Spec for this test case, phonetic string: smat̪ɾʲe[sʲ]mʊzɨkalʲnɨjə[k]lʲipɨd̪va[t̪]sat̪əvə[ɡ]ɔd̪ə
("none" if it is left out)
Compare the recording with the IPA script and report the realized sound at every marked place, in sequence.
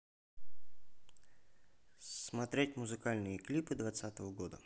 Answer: tʲ, k, t̪, ɡ

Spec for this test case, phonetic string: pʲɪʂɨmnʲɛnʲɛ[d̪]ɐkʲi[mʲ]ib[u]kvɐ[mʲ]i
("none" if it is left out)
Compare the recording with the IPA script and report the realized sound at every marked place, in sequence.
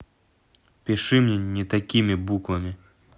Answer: t̪, mʲ, u, mʲ

